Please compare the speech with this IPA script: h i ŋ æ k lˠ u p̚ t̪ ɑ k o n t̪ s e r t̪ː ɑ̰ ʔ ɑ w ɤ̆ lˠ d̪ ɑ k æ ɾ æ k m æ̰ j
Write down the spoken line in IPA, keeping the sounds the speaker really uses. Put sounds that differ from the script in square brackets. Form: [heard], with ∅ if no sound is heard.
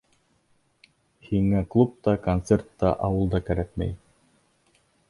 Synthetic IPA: h i ŋ æ k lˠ u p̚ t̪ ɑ k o n t̪ s e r t̪ː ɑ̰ ʔ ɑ w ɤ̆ lˠ d̪ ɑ k æ ɾ æ k m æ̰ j